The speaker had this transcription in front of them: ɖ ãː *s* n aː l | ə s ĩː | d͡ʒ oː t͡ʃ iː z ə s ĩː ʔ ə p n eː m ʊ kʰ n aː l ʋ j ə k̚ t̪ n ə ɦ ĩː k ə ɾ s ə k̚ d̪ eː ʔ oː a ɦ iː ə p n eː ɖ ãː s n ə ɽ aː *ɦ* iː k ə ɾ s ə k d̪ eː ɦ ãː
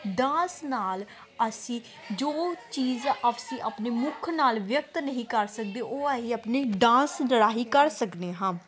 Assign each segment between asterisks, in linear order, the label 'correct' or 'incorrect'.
correct, correct

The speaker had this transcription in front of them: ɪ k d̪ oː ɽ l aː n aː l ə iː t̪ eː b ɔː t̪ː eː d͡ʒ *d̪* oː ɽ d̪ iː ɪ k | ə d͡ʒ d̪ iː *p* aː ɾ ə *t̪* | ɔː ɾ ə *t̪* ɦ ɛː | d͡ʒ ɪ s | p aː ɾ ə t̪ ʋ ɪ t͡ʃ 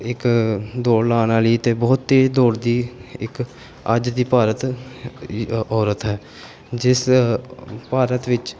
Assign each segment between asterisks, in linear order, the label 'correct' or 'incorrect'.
correct, correct, correct, correct

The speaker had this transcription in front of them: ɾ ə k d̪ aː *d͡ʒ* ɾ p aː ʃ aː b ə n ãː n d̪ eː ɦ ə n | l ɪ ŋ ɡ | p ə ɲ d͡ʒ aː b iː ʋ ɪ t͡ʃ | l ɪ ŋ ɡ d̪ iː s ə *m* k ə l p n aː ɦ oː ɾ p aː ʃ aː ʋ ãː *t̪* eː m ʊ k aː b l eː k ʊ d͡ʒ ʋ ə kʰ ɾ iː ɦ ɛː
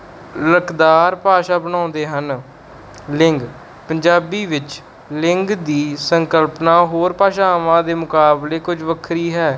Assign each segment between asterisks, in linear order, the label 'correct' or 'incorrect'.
incorrect, incorrect, incorrect

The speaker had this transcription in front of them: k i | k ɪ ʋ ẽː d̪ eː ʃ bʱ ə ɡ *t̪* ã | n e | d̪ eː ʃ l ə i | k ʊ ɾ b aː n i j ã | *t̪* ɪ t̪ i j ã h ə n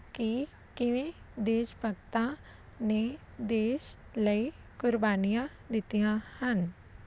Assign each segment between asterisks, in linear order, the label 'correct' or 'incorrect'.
correct, incorrect

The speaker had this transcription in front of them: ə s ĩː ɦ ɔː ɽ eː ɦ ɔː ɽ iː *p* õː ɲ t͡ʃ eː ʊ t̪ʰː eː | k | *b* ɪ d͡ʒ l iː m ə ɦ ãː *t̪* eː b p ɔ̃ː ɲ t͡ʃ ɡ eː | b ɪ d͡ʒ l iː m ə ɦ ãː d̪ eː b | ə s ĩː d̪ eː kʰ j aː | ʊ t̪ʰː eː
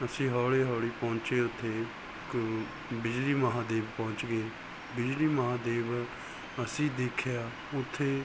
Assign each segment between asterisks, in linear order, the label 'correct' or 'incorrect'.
correct, correct, incorrect

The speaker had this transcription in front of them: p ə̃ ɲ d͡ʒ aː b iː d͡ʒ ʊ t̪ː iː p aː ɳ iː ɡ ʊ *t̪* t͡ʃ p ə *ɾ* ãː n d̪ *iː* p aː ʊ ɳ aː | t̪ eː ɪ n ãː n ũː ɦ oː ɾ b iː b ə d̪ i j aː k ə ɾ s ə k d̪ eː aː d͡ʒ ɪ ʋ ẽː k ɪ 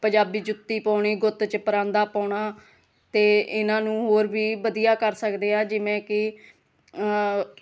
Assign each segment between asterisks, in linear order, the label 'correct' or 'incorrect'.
correct, correct, incorrect

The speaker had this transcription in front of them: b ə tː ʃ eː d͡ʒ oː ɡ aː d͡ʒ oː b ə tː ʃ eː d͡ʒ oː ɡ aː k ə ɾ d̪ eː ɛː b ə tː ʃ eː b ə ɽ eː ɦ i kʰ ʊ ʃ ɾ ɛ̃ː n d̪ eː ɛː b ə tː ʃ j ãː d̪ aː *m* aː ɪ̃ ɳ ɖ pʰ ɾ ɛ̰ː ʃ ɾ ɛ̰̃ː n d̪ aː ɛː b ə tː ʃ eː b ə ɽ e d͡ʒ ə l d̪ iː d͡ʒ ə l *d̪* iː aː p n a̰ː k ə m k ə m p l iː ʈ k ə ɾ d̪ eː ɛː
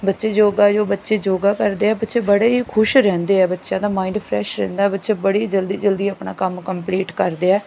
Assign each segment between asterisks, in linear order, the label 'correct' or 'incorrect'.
correct, correct

